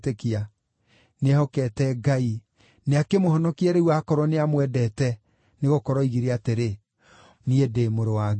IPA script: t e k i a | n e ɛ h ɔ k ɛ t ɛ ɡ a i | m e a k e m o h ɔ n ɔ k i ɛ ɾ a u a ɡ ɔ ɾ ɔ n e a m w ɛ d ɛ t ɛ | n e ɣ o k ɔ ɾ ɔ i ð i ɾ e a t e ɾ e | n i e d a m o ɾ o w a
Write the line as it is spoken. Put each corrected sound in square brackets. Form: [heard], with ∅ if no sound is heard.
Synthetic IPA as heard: t e k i a | n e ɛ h ɔ k ɛ t ɛ ɡ a i | [n] e a k e m o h ɔ n ɔ k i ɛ ɾ [e] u a [k] ɔ ɾ ɔ n e a m w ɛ d ɛ t ɛ | n e ɣ o k ɔ ɾ ɔ i [ɣ] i ɾ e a t e ɾ e | n i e d [e] m o ɾ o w a